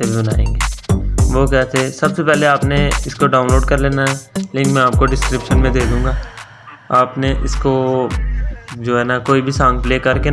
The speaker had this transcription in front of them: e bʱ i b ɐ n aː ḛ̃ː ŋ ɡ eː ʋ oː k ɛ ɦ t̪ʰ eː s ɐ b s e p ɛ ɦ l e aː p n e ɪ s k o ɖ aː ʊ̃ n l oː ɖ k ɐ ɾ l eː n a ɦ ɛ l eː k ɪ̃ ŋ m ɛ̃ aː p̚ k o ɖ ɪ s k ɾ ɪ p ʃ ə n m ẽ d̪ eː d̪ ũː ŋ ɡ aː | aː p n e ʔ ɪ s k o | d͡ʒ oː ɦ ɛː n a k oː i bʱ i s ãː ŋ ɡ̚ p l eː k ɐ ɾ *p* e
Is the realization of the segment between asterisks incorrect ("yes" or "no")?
yes